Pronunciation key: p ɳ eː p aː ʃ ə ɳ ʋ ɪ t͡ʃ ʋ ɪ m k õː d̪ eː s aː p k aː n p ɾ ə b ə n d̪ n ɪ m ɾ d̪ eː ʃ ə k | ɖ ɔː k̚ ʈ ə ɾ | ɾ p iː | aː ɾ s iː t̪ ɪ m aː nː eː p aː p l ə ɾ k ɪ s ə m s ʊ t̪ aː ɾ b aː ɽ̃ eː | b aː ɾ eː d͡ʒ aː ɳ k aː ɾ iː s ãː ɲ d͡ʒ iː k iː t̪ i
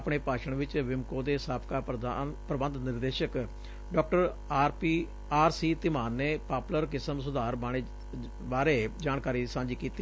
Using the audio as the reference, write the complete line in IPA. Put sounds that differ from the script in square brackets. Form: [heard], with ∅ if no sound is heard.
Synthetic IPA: p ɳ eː p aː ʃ ə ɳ ʋ ɪ t͡ʃ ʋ ɪ m k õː d̪ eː s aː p k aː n p ɾ ə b ə n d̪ n ɪ [∅] ɾ d̪ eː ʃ ə k | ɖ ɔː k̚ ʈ ə ɾ | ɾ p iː | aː ɾ s iː t̪ ɪ m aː nː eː p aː p l ə ɾ k ɪ s ə m s ʊ [d̪] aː ɾ b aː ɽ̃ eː | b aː ɾ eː d͡ʒ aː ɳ k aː ɾ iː s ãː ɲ d͡ʒ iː k iː t̪ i